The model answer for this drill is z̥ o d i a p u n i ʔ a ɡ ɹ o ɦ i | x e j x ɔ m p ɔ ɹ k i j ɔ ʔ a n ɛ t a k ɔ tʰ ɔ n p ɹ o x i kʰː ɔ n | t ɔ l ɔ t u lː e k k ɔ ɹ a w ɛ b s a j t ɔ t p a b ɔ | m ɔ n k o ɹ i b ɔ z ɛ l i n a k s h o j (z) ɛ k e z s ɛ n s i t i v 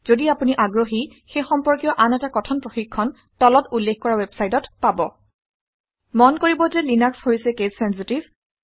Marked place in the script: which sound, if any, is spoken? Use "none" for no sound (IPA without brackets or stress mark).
s